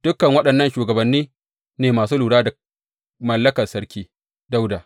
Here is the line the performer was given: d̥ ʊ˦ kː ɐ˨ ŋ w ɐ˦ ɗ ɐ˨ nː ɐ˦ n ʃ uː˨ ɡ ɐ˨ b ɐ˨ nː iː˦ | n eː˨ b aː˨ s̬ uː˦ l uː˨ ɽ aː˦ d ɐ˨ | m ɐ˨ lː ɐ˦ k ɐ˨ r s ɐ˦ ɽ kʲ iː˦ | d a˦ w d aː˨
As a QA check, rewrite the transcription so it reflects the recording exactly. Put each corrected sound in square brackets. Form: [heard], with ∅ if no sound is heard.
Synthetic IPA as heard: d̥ ʊ˦ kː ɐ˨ ŋ w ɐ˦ ɗ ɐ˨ nː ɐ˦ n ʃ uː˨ ɡ ɐ˨ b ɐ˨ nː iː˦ | n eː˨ [m] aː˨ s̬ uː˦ l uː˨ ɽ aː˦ d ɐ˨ | m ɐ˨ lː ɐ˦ k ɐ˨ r s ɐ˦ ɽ kʲ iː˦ | d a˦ w d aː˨